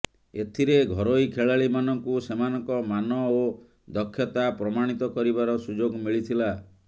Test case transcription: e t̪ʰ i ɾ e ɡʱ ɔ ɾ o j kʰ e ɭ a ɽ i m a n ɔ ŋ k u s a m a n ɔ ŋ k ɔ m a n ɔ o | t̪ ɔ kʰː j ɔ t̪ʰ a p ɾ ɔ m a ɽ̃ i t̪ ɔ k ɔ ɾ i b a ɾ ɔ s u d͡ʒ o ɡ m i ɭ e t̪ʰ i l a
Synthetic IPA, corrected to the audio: e t̪ʰ i ɾ e ɡʱ ɔ ɾ o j kʰ e ɭ a ɭ i m a n ɔ ŋ k u s e m a n ɔ ŋ k ɔ m a n ɔ o | d̪ ɔ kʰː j ɔ t̪ a p ɾ ɔ m a ɽ̃ i t̪ ɔ k ɔ ɾ i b a ɾ ɔ s u d͡ʒ o ɡ m i ɭ i t̪ʰ i l a